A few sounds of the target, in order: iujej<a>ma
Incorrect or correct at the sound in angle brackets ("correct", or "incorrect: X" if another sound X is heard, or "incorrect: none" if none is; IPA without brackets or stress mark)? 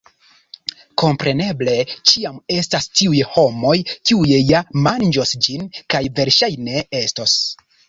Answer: correct